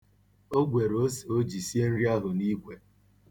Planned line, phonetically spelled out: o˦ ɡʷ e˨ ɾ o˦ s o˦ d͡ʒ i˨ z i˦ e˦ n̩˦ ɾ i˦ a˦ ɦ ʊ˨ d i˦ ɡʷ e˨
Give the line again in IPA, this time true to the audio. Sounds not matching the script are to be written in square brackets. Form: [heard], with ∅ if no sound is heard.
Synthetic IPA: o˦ ɡʷ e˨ ɾ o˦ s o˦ d͡ʒ i˨ [s] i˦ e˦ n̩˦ ɾ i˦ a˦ ɦ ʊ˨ [n] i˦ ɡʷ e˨